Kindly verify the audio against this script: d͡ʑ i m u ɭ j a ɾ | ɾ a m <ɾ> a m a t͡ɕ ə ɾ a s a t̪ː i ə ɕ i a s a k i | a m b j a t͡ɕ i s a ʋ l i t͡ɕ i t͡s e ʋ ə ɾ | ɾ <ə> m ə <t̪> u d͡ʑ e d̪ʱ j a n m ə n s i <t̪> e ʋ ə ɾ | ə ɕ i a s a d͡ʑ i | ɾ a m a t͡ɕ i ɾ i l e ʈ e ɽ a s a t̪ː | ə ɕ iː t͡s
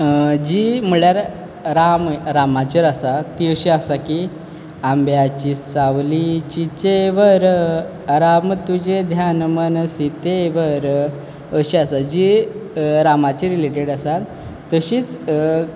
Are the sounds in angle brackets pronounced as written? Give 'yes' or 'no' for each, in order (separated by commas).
yes, no, yes, yes